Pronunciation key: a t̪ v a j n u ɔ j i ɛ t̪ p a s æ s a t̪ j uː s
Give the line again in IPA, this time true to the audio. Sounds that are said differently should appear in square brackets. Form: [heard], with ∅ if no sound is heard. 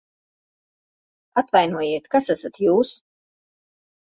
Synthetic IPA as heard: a t̪ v a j n u ɔ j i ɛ t̪ [k] a s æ s a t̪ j uː s